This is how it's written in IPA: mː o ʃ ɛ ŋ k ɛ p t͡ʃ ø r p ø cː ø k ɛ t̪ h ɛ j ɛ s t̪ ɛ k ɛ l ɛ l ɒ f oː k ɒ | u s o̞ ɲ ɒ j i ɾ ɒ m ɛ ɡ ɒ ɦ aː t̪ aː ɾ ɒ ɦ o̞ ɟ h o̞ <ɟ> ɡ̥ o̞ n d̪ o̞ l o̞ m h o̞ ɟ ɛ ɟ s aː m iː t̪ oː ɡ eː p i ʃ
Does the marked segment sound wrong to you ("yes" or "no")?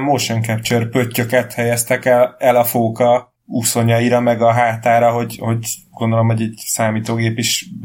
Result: no